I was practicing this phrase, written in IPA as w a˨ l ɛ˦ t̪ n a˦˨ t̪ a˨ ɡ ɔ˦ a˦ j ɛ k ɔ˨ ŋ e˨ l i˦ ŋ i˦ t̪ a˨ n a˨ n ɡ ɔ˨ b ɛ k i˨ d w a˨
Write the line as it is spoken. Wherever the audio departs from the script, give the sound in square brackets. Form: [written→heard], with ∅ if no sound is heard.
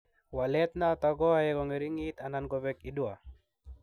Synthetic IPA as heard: w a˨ l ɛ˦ t̪ n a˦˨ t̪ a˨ ɡ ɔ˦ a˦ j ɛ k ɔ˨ ŋ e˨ [l→ɾ] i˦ ŋ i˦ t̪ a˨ n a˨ n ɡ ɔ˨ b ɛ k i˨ d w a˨